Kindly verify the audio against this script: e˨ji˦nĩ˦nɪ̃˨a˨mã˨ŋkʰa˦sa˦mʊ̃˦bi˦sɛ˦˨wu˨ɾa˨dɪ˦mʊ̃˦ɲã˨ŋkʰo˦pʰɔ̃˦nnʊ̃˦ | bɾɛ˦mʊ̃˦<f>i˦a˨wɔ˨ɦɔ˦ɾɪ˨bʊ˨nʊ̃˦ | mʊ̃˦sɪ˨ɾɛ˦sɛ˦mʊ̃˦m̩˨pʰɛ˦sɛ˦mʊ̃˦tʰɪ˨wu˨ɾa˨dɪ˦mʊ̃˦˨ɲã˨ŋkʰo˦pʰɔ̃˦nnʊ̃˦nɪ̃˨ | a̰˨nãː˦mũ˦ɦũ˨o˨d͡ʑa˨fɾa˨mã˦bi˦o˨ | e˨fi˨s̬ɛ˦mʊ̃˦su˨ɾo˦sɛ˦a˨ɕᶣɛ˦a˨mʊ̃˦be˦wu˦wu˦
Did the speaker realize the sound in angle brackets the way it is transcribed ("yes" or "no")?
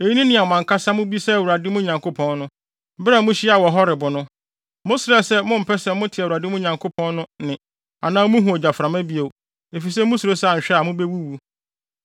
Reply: no